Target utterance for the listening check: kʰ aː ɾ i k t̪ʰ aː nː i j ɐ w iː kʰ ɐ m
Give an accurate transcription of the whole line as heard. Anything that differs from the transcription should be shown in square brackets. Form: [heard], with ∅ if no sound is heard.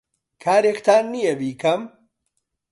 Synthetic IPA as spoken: kʰ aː ɾ [e] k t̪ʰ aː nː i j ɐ [b] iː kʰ ɐ m